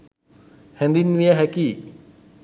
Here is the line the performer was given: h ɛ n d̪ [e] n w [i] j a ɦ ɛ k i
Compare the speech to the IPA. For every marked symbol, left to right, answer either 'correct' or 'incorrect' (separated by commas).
incorrect, correct